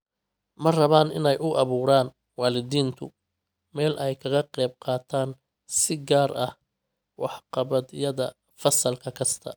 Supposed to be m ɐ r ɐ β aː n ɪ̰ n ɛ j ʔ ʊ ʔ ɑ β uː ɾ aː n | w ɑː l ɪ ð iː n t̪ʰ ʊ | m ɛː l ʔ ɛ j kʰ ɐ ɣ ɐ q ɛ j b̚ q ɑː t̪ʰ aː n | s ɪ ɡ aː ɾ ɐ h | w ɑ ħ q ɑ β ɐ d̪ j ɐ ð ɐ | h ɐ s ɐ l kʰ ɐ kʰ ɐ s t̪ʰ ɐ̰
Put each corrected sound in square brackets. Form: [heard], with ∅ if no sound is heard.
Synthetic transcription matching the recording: m ɐ r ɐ β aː n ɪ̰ n ɛ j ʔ ʊ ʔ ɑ β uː ɾ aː n | w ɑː l ɪ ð iː n t̪ʰ ʊ | m ɛː l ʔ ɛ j kʰ ɐ ɣ ɐ q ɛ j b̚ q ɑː t̪ʰ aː n | s ɪ ɡ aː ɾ ɐ h | w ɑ ħ q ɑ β ɐ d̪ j ɐ ð ɐ | [f] ɐ s ɐ l kʰ ɐ kʰ ɐ s t̪ʰ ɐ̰